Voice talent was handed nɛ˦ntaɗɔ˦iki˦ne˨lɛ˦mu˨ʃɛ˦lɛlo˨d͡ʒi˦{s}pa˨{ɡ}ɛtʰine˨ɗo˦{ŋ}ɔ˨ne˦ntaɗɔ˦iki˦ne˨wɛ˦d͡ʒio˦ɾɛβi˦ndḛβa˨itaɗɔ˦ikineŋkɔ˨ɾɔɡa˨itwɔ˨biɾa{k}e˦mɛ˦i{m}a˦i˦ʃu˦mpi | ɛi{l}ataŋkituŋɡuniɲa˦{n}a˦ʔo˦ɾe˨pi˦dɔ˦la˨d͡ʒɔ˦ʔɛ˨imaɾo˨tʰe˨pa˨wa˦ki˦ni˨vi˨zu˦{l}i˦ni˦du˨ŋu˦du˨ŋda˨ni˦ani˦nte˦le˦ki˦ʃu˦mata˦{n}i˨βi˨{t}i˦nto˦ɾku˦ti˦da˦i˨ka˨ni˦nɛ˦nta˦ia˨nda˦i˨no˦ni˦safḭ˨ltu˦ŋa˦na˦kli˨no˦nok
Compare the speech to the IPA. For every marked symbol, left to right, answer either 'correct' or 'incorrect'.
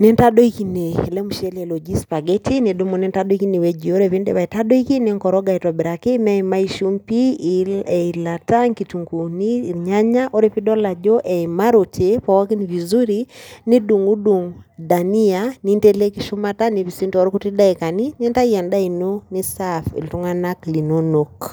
correct, correct, incorrect, correct, correct, correct, incorrect, incorrect, correct, incorrect

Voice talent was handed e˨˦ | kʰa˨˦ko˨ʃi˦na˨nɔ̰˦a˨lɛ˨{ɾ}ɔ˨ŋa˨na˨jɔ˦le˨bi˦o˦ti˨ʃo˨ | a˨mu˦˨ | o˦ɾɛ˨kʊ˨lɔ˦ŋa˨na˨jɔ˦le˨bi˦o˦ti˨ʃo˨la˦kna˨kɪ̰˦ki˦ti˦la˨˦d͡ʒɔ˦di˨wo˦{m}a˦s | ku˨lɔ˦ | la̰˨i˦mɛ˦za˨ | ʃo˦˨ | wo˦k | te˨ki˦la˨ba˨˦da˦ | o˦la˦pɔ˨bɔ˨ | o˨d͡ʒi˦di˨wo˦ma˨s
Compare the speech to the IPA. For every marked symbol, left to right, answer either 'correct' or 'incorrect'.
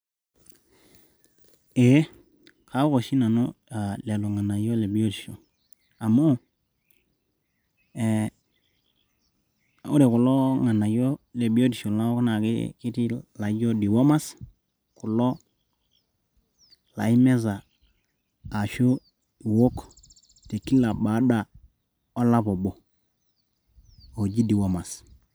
incorrect, correct

